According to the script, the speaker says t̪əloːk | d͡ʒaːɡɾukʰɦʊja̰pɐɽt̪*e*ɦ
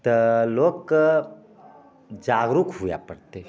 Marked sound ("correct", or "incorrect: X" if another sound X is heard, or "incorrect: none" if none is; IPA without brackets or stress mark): correct